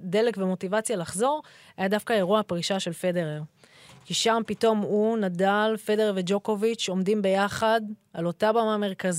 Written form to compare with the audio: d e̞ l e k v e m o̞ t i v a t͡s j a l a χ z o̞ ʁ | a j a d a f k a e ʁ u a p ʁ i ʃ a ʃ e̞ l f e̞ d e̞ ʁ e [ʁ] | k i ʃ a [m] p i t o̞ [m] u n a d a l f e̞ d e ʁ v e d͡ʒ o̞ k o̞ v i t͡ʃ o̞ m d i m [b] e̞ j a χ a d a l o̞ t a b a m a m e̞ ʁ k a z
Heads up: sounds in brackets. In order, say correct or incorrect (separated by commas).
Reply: correct, correct, correct, correct